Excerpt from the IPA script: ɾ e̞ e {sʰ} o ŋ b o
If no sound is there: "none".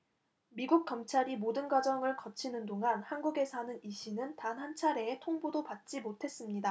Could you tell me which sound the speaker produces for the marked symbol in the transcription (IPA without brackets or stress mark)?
tʰ